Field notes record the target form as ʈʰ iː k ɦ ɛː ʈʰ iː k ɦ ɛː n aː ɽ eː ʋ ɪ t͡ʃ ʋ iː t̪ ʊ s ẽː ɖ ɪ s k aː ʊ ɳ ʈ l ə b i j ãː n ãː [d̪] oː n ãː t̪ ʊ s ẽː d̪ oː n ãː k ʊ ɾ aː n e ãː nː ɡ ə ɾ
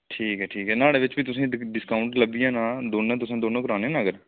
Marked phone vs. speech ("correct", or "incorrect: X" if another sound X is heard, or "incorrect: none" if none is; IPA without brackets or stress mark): correct